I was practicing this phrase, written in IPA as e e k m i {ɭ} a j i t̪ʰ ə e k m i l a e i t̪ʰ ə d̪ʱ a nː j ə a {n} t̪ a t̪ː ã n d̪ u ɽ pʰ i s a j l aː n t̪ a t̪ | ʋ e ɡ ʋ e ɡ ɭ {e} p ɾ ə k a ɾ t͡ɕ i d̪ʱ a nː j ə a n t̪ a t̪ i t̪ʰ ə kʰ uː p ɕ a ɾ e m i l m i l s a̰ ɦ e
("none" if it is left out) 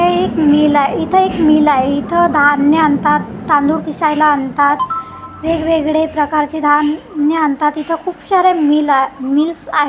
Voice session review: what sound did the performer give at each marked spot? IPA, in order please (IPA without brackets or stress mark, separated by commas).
l, n, e